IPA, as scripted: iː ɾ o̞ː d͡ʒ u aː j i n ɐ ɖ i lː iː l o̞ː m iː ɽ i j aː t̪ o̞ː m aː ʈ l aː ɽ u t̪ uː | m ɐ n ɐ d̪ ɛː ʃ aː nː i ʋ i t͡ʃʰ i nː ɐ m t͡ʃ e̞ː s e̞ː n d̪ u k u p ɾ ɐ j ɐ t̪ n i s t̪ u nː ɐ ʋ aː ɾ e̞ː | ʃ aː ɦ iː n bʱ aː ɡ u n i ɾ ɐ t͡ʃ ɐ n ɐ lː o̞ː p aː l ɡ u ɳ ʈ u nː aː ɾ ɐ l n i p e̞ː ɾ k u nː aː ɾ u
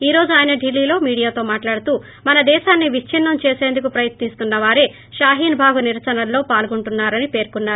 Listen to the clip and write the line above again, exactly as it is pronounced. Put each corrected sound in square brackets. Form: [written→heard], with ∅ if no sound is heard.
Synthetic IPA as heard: iː ɾ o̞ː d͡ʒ u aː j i n ɐ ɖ i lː iː l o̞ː m iː ɽ i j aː t̪ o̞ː m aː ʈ l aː ɽ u t̪ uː | m ɐ n ɐ d̪ ɛː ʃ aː nː i ʋ i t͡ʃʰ i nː ɐ m t͡ʃ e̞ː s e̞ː n d̪ u k u p ɾ ɐ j ɐ t̪ n i s t̪ u nː ɐ ʋ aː ɾ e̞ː | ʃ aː ɦ iː n bʱ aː ɡ u n i ɾ ɐ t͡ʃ ɐ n ɐ lː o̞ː p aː l ɡ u ɳ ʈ u nː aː ɾ ɐ [l→∅] n i p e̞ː ɾ k u nː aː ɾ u

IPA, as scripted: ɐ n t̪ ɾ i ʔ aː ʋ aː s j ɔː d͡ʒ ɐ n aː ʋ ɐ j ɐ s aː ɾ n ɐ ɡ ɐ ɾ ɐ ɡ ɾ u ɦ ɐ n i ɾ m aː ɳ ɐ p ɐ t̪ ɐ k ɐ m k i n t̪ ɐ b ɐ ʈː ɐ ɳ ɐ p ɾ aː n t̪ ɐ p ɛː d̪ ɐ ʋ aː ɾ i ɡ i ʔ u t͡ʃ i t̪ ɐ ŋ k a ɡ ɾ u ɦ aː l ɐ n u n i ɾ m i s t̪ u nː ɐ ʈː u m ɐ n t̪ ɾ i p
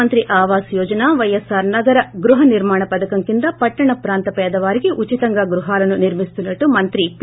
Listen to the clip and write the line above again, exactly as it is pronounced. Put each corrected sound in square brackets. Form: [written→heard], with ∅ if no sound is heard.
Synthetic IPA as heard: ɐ n t̪ ɾ i ʔ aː ʋ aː s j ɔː d͡ʒ ɐ n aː ʋ ɐ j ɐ s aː ɾ n ɐ ɡ ɐ ɾ ɐ ɡ ɾ u ɦ ɐ n i ɾ m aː ɳ ɐ p ɐ [t̪→d̪] ɐ k ɐ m k i n [t̪→d̪] ɐ [b→p] ɐ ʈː ɐ ɳ ɐ p ɾ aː n t̪ ɐ p ɛː d̪ ɐ ʋ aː ɾ i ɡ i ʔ u t͡ʃ i t̪ ɐ ŋ [k→ɡ] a ɡ ɾ u ɦ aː l ɐ n u n i ɾ m i s t̪ u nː ɐ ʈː u m ɐ n t̪ ɾ i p

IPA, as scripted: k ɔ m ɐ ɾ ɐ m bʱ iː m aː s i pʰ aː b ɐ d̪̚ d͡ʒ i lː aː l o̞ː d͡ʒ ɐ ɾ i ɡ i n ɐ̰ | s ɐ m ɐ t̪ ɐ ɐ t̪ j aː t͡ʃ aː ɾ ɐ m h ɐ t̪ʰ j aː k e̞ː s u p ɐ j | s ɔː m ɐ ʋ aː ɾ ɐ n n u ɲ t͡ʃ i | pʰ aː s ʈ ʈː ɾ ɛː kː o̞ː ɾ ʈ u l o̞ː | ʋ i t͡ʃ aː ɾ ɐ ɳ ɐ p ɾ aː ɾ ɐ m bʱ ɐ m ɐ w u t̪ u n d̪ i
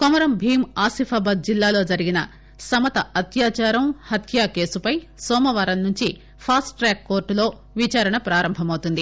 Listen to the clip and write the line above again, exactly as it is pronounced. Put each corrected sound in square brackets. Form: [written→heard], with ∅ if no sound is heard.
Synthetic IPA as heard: k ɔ m ɐ ɾ ɐ m bʱ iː m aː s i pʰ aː b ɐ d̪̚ d͡ʒ i lː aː l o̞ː d͡ʒ ɐ ɾ i ɡ i n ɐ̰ | s ɐ m ɐ t̪ ɐ ɐ t̪ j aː t͡ʃ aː ɾ ɐ m h ɐ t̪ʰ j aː k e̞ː s u p ɐ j | s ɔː m ɐ ʋ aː ɾ ɐ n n u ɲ t͡ʃ i | pʰ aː s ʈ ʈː ɾ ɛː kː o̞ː ɾ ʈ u l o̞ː | ʋ i t͡ʃ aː ɾ ɐ ɳ ɐ p ɾ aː ɾ ɐ m bʱ ɐ m ɐ w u t̪ u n d̪ i

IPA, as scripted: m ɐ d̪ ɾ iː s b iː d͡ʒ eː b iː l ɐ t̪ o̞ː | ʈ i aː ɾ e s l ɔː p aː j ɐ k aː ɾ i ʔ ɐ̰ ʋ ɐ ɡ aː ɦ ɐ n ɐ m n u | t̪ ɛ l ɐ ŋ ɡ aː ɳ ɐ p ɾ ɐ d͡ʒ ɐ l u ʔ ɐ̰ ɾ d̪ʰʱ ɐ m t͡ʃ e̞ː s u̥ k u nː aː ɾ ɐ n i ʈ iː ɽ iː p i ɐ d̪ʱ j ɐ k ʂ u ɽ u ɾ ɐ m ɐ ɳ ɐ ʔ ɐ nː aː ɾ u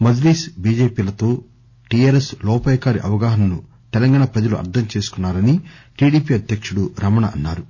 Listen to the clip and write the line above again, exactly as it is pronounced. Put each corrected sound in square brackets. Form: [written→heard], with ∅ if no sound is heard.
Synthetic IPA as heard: m ɐ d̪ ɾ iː s b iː d͡ʒ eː [b→p] iː l ɐ t̪ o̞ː | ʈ i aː ɾ e s l ɔː p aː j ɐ k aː ɾ i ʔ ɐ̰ ʋ ɐ ɡ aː ɦ ɐ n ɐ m n u | t̪ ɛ l ɐ ŋ ɡ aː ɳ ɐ p ɾ ɐ d͡ʒ ɐ l u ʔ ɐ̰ ɾ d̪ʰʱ ɐ m t͡ʃ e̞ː s u̥ k u nː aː ɾ ɐ n i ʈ iː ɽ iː p i ɐ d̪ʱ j ɐ k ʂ u ɽ u ɾ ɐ m ɐ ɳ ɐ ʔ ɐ nː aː ɾ u

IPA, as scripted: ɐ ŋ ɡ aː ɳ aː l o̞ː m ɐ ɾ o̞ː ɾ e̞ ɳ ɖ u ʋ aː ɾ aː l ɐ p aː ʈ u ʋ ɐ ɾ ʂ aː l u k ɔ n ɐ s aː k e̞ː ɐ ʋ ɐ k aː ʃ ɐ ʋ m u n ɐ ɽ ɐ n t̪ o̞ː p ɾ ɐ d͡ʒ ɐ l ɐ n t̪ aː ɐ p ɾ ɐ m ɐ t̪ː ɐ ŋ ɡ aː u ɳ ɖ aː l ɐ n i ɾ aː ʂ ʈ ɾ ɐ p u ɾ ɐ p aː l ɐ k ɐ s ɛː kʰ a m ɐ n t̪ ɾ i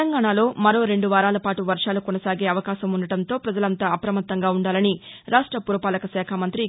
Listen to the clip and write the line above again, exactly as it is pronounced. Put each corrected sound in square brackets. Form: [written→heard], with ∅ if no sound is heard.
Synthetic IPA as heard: ɐ ŋ ɡ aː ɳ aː l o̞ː m ɐ ɾ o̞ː ɾ e̞ ɳ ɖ u ʋ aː ɾ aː l ɐ p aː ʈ u ʋ ɐ ɾ ʂ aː l u k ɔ n ɐ s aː [k→ɡ] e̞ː ɐ ʋ ɐ k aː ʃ ɐ [ʋ→∅] m u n ɐ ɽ ɐ n t̪ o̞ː p ɾ ɐ d͡ʒ ɐ l ɐ n t̪ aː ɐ p ɾ ɐ m ɐ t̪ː ɐ ŋ ɡ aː u ɳ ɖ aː l ɐ n i ɾ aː ʂ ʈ ɾ ɐ p u ɾ ɐ p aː l ɐ k ɐ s ɛː kʰ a m ɐ n t̪ ɾ i

